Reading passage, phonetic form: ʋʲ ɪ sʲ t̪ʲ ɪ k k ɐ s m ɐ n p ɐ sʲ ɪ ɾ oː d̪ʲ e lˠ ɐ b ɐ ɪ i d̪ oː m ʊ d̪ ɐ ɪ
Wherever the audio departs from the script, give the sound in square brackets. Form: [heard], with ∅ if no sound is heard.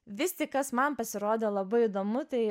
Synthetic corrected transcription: ʋʲ ɪ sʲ t̪ʲ ɪ k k ɐ s m ɐ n p ɐ sʲ ɪ ɾ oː d̪ʲ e lˠ ɐ b ɐ ɪ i d̪ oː m ʊ [t̪] ɐ ɪ